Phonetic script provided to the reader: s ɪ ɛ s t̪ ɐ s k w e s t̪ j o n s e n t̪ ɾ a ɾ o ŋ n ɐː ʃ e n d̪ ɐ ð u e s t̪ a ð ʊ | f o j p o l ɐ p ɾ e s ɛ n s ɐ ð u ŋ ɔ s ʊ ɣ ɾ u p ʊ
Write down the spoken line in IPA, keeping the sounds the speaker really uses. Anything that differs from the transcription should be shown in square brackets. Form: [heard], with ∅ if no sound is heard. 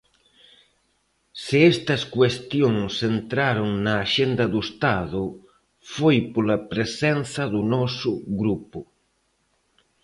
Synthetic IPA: s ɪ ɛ s t̪ ɐ s k w e s t̪ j o [ŋ] s e n t̪ ɾ a ɾ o ŋ n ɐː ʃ e n d̪ ɐ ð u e s t̪ a ð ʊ | f o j p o l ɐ p ɾ e s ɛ n [θ] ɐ ð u [n] ɔ s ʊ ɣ ɾ u p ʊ